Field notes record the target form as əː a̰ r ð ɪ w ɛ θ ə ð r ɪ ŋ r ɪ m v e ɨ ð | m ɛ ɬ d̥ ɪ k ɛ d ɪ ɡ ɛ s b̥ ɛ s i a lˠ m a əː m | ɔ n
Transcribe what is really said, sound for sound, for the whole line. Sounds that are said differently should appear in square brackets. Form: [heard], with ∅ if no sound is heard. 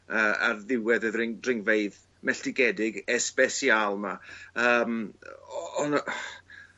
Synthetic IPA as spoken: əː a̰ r ð ɪ w ɛ [ð] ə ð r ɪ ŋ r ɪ [ŋ] v e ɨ ð | m ɛ ɬ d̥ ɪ [ɡ] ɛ d ɪ ɡ ɛ s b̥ ɛ s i a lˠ m a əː m | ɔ n